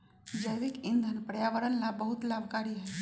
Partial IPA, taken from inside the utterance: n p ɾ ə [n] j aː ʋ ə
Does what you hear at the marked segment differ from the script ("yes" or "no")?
yes